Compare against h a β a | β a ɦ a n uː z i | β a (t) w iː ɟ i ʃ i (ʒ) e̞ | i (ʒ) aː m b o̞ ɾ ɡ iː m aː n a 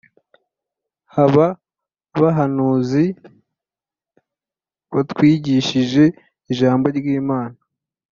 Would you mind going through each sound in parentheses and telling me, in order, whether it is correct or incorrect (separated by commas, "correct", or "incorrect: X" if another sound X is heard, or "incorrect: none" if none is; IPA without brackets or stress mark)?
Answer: correct, correct, correct